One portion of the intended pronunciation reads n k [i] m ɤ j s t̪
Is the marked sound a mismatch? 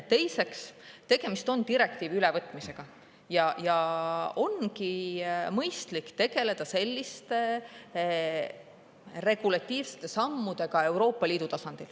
no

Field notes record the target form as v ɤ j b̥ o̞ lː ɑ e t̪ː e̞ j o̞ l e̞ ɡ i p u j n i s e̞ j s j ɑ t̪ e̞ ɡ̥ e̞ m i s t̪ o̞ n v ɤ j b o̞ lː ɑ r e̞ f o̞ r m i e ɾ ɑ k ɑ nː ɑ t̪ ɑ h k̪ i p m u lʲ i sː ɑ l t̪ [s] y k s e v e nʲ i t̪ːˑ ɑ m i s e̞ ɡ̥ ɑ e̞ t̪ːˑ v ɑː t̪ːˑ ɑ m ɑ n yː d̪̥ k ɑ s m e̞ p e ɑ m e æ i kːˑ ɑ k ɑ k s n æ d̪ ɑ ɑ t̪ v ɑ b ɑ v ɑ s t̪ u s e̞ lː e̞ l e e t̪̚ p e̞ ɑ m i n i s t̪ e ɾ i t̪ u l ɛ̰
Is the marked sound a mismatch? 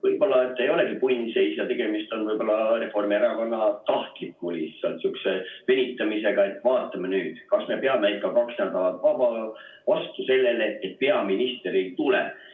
no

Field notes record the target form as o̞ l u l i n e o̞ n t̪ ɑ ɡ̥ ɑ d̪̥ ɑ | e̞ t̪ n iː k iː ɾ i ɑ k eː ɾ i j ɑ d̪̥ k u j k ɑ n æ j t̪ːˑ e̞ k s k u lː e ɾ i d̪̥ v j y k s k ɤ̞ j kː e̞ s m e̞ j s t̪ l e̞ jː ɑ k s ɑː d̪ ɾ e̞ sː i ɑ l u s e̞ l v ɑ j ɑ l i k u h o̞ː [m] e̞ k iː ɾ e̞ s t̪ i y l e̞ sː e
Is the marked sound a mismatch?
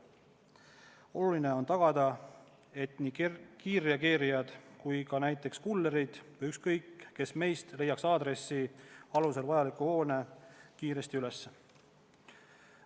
yes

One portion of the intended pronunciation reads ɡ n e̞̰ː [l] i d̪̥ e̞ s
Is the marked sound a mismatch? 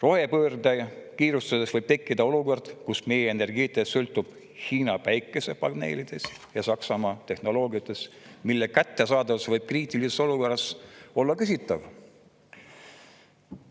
no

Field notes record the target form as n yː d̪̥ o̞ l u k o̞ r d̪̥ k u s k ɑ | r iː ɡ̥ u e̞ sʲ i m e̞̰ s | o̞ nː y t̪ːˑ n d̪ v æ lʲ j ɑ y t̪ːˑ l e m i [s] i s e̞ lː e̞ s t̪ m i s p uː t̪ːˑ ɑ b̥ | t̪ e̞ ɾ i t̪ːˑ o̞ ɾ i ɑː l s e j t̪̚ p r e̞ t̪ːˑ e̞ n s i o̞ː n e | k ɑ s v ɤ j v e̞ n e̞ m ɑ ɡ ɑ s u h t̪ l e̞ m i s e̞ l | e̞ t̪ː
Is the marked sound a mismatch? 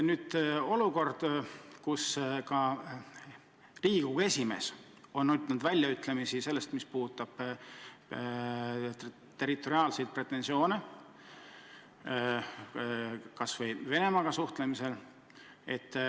no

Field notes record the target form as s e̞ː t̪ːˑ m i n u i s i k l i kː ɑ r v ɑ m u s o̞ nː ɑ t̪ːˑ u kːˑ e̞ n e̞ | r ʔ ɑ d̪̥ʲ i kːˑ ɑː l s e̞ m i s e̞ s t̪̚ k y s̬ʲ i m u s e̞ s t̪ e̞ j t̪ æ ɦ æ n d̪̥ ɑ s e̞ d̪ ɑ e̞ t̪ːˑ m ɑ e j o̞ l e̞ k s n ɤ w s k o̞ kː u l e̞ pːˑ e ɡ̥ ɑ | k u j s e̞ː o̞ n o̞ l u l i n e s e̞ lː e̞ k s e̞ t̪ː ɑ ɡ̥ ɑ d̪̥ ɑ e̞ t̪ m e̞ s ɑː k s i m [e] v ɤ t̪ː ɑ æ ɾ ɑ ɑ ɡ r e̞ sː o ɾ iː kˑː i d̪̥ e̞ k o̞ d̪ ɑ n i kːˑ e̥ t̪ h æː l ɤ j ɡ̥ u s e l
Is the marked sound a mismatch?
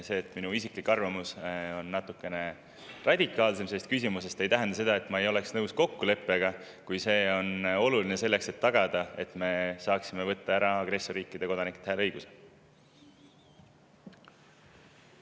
no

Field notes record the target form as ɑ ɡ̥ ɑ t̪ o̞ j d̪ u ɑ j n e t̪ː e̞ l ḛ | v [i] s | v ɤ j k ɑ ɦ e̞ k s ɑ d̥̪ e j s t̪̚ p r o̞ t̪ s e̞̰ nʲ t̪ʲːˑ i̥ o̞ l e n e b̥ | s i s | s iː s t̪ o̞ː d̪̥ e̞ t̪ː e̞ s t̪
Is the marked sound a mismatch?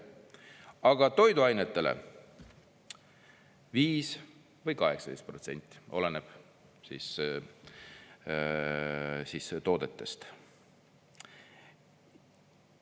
yes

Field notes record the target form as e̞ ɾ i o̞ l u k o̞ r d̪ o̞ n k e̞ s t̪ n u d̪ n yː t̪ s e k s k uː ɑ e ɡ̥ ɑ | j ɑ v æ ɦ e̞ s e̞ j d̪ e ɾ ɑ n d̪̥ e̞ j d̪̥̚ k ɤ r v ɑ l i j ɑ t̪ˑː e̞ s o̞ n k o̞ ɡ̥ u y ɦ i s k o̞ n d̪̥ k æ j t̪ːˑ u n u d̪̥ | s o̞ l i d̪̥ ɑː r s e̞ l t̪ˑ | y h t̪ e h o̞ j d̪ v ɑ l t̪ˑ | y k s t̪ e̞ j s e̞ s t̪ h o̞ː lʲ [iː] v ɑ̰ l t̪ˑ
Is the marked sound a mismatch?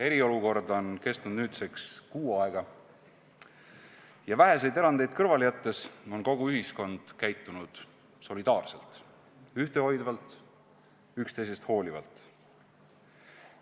yes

